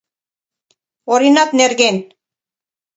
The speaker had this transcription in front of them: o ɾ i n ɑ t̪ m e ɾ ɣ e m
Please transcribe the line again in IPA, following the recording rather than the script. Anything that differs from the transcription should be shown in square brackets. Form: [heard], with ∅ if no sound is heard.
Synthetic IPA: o ɾ i n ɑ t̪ [n] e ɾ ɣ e [n]